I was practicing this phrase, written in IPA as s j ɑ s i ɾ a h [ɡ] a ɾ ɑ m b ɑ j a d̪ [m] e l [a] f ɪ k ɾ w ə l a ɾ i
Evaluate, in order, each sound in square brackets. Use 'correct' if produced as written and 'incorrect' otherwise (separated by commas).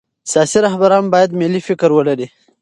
incorrect, correct, incorrect